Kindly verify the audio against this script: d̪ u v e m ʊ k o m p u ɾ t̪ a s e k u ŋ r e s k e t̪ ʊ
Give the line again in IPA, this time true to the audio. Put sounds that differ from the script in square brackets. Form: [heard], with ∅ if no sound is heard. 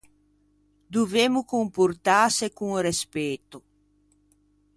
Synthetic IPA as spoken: d̪ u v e m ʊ k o m p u ɾ t̪ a s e k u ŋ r e s [p] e t̪ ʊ